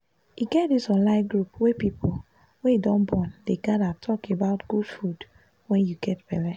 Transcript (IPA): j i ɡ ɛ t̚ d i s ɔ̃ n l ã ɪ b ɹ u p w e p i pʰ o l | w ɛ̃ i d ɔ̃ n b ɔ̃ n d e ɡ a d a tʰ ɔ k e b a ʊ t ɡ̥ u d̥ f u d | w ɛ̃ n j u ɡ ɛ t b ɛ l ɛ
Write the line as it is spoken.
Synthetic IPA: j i ɡ ɛ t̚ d i s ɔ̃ n l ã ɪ ɡ ɹ u p w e p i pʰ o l | w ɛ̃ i d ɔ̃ n b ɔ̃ n d e ɡ a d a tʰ ɔ k e b a ʊ t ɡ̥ u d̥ f u d | w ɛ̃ n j u ɡ ɛ t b ɛ l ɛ